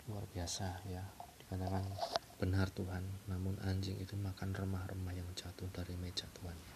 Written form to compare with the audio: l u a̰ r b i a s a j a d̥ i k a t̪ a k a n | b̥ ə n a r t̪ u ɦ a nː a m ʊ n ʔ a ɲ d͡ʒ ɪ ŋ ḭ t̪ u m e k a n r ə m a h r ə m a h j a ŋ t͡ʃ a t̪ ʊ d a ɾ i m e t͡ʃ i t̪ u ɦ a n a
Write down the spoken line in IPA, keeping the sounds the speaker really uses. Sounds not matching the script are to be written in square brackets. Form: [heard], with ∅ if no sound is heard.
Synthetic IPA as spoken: l u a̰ r b i a s a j a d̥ i k a t̪ a k a n | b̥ ə n a r t̪ u ɦ a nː a m ʊ n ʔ a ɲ d͡ʒ ɪ ŋ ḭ t̪ u m [a] k a n r ə m a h r ə m a h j a ŋ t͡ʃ a t̪ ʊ d a ɾ i m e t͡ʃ [a] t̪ u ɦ a n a